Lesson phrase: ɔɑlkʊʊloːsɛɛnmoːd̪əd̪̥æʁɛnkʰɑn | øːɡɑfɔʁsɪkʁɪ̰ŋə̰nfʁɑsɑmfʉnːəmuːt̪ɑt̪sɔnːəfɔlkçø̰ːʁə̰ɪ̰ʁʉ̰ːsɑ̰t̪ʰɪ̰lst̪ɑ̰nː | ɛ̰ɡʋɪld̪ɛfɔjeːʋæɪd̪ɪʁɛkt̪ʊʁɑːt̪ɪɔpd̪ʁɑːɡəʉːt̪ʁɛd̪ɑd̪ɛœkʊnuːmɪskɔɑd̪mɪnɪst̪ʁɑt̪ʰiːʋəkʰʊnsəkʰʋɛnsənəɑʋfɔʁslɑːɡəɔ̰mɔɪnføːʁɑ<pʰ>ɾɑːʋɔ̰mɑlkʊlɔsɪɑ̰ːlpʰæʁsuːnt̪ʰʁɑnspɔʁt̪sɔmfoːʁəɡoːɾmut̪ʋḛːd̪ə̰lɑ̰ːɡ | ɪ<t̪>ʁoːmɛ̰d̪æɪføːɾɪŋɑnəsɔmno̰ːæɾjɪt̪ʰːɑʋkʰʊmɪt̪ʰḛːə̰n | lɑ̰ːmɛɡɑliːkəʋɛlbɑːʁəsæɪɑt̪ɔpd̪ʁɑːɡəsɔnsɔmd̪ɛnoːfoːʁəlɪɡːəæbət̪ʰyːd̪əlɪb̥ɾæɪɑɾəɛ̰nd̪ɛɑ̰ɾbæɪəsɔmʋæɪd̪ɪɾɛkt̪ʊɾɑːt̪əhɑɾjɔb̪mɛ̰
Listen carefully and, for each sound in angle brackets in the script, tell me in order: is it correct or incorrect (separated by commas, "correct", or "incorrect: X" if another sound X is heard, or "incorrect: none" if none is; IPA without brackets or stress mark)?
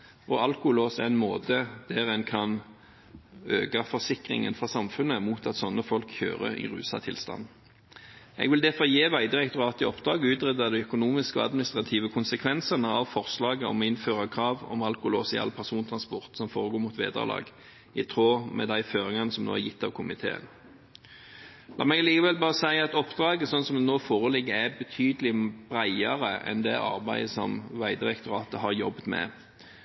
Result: incorrect: kʰ, incorrect: t̪ʰ